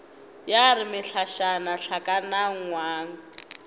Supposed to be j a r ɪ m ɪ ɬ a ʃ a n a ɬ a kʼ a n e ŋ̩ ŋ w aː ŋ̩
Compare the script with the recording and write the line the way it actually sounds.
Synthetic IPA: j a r ɪ m ɪ ɬ a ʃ a n a ɬ a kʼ a n a ŋ̩ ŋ w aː ŋ̩